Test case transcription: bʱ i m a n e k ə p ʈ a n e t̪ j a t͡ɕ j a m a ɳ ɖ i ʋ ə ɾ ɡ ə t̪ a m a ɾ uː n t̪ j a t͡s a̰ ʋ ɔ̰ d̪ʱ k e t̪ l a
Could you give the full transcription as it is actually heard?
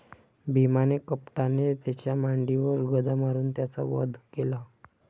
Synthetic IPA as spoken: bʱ i m a n e k ə p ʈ a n e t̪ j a t͡ɕ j a m a ɳ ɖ i ʋ ə ɾ ɡ ə d̪ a m a ɾ uː n t̪ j a t͡s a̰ ʋ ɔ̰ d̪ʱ k e l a

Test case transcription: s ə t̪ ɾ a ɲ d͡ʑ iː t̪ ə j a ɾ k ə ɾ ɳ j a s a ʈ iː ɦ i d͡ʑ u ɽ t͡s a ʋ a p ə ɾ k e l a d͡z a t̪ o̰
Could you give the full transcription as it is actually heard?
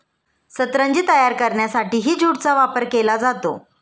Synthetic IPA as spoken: s ə t̪ ɾ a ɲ d͡ʑ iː t̪ ə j a ɾ k ə ɾ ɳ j a s a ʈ iː ɦ iː d͡ʑ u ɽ t͡s a ʋ a p ə ɾ k e l a d͡z a t̪ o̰

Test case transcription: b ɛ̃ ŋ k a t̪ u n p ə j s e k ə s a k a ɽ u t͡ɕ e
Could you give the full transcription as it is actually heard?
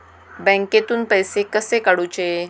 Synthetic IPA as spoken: b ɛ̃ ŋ k e t̪ uː n p ə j s e k ə s e k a ɽ u t͡ɕ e

